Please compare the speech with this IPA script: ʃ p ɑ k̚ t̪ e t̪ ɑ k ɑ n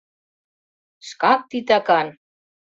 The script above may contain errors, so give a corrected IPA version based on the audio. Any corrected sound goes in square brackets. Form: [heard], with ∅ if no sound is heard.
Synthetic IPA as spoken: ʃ [k] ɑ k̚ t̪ [i] t̪ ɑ k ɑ n